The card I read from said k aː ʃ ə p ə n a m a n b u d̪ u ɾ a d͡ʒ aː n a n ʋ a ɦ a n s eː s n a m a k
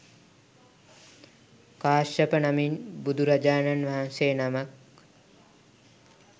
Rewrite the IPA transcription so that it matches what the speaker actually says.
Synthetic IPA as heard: k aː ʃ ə p ə n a m i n b u d̪ u ɾ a d͡ʒ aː n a n ʋ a ɦ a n s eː n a m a k